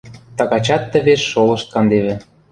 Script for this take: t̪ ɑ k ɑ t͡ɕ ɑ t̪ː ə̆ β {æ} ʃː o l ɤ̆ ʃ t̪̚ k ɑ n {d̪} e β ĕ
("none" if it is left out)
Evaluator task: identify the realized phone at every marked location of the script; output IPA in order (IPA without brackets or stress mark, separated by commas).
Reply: e, d̪